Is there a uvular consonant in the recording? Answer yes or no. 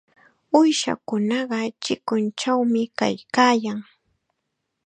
yes